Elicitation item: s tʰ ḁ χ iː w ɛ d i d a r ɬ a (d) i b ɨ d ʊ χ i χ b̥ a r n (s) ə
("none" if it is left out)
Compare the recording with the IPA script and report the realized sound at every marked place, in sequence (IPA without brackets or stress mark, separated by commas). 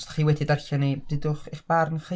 n, χ